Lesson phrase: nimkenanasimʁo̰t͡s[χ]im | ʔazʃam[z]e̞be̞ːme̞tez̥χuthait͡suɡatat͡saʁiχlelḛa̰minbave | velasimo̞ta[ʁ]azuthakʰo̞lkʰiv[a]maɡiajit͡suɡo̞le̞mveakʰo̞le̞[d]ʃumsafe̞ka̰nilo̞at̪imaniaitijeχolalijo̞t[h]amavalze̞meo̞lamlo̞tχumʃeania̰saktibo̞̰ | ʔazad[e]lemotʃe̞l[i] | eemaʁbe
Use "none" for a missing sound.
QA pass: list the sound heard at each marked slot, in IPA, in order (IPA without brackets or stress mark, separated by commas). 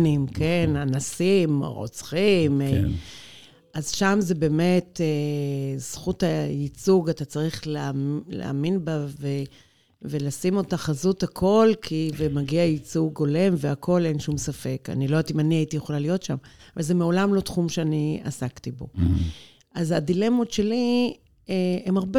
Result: χ, z, χ, e, n, ʃ, i, i